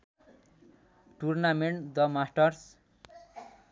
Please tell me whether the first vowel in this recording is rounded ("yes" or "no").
yes